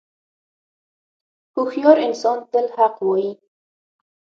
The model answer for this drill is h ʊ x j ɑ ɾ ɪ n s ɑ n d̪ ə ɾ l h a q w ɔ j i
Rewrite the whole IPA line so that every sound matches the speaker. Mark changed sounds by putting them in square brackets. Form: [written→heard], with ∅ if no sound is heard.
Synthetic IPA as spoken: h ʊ x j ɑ ɾ ɪ n s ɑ n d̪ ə [ɾ→∅] l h a q w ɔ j i